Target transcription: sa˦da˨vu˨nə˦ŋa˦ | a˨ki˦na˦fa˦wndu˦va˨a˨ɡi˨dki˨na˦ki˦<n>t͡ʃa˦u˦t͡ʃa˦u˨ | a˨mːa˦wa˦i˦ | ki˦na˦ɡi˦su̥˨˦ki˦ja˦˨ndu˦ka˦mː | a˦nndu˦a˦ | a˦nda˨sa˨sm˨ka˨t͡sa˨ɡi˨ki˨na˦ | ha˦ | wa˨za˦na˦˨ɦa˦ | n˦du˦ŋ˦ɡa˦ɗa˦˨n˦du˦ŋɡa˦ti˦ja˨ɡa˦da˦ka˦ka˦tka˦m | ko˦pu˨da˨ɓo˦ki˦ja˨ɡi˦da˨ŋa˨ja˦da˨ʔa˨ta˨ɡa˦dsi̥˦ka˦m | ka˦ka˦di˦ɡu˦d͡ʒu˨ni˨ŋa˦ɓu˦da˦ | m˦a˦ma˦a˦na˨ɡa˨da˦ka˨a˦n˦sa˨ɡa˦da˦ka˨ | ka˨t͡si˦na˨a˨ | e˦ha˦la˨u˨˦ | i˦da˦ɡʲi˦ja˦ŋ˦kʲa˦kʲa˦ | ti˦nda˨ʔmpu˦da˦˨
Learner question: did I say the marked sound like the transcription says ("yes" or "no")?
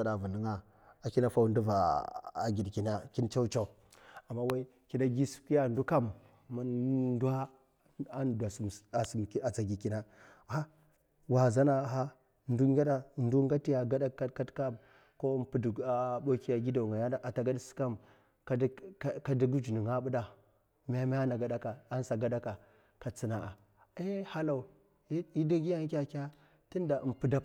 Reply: yes